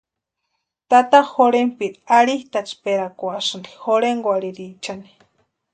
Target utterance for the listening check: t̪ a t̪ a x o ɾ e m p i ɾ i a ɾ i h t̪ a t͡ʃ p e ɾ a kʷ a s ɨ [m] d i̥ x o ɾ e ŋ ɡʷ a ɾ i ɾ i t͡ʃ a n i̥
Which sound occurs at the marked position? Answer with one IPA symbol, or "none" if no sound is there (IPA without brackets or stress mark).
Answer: n